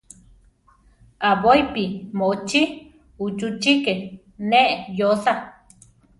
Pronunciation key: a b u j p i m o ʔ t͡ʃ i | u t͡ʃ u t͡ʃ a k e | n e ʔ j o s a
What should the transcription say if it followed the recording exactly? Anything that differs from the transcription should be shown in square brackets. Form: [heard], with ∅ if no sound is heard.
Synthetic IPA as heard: a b [o] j p i m o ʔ t͡ʃ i | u t͡ʃ u t͡ʃ [i] k e | n e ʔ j o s a